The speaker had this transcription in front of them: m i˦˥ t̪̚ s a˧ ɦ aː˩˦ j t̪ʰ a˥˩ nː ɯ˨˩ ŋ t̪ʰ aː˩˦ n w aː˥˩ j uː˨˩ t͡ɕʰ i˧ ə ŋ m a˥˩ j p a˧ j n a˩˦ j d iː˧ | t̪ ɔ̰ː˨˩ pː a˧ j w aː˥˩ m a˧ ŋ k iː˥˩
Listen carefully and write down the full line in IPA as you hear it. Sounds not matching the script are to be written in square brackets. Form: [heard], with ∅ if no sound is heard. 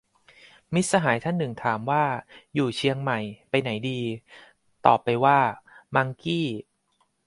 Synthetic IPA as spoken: m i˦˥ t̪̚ s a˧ ɦ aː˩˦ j t̪ʰ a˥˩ nː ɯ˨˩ ŋ t̪ʰ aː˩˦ [m] w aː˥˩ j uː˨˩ t͡ɕʰ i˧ ə ŋ m [a˨˩] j p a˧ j n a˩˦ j d iː˧ | t̪ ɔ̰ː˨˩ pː a˧ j w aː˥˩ m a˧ ŋ k iː˥˩